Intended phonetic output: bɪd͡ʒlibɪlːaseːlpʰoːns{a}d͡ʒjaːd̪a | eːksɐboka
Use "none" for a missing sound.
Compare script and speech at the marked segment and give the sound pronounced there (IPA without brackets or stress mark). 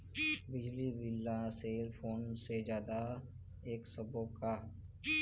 e